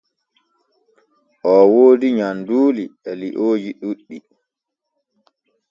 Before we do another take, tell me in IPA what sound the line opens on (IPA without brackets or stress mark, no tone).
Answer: ʔ